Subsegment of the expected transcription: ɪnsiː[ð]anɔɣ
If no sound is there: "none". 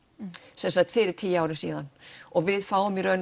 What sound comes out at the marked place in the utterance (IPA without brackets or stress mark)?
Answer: ð